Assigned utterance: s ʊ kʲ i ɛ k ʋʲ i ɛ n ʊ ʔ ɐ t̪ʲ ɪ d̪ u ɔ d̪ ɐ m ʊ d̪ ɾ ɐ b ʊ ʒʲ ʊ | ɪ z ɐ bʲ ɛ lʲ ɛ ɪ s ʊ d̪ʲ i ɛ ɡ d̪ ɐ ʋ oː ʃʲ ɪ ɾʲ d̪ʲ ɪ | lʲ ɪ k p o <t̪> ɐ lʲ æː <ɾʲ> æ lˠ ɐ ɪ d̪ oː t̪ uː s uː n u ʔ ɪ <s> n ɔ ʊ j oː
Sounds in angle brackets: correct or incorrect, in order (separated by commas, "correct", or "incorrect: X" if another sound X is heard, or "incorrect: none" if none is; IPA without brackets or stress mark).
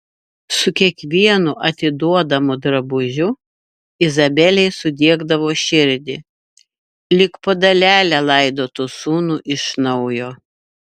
incorrect: d̪, incorrect: lʲ, incorrect: ʃ